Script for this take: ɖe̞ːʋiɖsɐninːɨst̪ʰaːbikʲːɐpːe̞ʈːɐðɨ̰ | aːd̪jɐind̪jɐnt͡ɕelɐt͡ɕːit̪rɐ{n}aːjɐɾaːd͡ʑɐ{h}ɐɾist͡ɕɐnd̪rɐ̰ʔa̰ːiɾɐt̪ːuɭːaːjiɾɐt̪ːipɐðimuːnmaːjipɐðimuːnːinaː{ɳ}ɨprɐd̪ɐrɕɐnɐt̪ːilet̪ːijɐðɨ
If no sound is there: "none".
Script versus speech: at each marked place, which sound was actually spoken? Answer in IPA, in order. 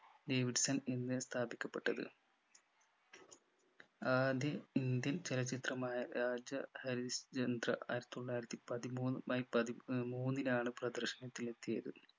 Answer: m, h, ɳ

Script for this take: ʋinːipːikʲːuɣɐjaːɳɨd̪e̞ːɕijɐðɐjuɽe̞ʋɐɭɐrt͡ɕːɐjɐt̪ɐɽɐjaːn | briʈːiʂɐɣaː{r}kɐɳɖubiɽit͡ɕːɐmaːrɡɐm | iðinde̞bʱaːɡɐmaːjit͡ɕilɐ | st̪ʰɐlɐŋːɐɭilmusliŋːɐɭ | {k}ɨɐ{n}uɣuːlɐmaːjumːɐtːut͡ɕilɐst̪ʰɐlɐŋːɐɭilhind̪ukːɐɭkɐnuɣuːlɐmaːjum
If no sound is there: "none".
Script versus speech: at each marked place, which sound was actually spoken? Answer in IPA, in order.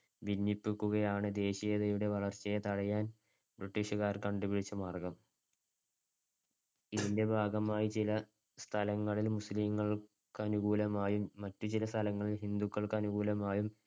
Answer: r, k, n

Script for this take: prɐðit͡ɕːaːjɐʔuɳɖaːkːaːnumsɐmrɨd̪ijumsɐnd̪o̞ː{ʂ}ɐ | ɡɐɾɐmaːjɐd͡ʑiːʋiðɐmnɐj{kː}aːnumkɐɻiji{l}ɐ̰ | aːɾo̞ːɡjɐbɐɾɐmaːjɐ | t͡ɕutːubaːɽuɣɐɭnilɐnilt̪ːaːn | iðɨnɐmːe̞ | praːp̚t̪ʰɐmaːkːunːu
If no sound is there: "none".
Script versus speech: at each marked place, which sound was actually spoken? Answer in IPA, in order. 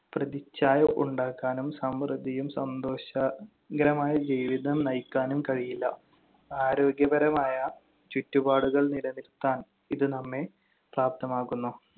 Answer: ɕ, kː, lː

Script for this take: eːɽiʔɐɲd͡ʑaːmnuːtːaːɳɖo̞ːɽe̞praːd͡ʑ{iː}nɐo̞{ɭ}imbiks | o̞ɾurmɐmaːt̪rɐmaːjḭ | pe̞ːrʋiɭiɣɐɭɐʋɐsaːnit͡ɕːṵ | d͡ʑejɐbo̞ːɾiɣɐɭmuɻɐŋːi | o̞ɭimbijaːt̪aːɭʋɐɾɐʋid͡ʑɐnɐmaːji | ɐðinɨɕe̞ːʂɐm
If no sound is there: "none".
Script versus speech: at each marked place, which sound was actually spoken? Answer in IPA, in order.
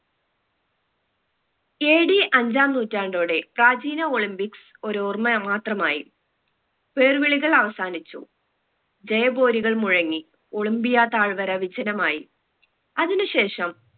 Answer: iː, ɭ

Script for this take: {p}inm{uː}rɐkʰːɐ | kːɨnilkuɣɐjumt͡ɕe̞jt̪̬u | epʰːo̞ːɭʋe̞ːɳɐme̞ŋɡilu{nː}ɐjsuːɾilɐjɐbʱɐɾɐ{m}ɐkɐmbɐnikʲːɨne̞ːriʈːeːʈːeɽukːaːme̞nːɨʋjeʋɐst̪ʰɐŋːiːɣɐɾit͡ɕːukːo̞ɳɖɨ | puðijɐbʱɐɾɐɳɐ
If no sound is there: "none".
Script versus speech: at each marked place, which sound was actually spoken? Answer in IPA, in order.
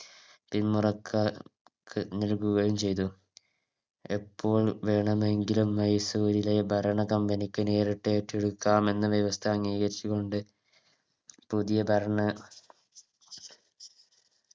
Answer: p, u, mː, ɳ

